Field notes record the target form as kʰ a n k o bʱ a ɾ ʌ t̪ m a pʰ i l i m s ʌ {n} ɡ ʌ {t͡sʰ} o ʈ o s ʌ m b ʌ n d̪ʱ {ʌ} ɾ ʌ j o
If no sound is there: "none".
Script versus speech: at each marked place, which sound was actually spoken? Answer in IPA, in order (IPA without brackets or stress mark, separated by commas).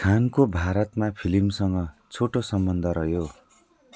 ŋ, t͡sʰ, ʌ